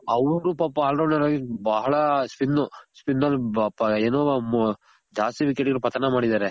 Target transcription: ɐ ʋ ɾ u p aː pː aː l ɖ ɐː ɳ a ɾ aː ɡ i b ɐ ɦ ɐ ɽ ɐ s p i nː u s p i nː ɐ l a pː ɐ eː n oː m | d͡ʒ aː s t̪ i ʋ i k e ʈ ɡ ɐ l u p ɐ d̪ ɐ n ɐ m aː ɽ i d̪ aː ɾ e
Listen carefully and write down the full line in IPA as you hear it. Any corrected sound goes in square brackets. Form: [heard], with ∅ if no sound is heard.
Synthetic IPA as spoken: ɐ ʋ ɾ u p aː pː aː l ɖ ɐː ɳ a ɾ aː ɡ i b ɐ ɦ ɐ [ɭ] ɐ s p i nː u s p i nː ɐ l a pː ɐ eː n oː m | d͡ʒ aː s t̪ i ʋ i k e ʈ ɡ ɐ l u p ɐ [t̪] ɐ n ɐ m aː ɽ i d̪ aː ɾ e